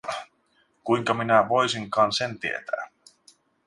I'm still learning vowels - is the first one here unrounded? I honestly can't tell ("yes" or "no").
no